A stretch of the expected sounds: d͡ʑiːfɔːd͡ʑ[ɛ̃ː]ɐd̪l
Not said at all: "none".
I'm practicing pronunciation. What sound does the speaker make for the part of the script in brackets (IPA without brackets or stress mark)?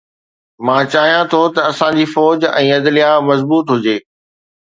ɛ̃ː